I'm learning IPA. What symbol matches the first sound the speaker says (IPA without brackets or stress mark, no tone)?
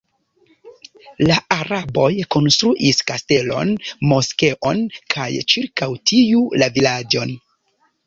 l